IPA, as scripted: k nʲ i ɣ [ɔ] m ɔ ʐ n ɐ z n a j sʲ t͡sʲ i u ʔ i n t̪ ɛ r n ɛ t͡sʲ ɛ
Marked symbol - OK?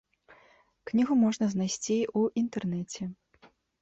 no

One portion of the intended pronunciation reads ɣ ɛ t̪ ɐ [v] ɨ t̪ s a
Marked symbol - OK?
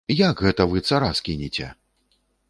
yes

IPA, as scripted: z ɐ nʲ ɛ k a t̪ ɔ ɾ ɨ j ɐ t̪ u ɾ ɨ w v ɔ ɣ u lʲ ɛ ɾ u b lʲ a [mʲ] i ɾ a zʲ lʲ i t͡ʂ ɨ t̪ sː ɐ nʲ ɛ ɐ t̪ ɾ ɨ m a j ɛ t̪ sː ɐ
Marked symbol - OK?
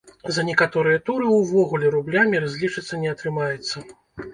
yes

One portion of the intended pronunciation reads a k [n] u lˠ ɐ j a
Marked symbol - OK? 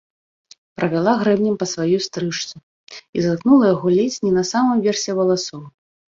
yes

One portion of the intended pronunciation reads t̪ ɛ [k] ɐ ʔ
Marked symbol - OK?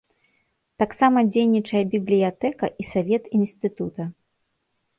yes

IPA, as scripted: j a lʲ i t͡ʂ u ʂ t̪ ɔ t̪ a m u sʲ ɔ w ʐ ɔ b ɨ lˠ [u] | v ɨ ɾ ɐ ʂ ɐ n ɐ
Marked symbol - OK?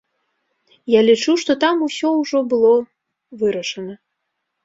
no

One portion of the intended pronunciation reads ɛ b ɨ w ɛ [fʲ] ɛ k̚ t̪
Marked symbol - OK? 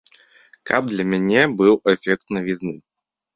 yes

